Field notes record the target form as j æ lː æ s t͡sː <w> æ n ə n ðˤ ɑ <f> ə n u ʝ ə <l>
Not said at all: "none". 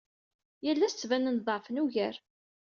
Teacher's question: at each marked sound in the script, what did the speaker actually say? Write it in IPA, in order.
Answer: v, f, ɾ

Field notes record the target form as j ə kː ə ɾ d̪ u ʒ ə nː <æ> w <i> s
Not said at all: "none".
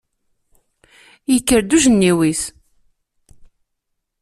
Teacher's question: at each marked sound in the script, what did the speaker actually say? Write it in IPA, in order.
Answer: i, i

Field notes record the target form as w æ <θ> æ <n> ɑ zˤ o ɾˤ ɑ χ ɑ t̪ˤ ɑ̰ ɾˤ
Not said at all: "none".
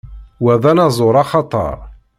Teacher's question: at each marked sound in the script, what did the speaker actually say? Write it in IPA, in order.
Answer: ð, n

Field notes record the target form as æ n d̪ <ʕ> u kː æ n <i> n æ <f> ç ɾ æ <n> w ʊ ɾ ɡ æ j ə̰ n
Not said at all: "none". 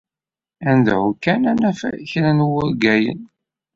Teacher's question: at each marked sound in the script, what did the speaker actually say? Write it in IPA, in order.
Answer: ʕ, æ, f, n

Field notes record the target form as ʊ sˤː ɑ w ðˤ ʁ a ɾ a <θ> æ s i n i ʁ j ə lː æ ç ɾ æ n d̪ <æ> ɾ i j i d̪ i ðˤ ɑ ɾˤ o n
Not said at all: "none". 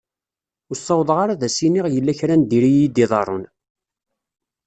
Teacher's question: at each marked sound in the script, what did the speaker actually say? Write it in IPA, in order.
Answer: ð, i

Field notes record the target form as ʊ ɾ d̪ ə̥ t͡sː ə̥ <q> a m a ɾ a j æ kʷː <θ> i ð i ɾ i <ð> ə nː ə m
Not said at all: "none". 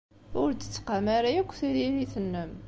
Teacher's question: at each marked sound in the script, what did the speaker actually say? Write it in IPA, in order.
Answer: q, θ, θ

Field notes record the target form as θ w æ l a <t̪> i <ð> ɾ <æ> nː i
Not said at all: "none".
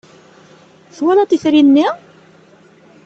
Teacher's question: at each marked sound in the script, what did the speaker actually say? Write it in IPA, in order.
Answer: t̪, θ, i

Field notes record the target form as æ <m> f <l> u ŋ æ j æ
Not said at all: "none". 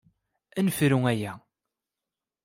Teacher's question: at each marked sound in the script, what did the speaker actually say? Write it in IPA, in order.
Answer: n, ɾ

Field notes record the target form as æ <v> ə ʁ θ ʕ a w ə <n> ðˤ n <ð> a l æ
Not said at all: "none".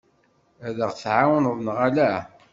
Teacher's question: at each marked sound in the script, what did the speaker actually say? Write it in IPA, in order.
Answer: ð, n, ʁ

